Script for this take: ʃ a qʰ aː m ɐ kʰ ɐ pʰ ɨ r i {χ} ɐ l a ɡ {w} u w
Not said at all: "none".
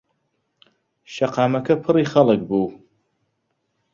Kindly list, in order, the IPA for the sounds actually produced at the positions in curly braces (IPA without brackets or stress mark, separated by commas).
χ, b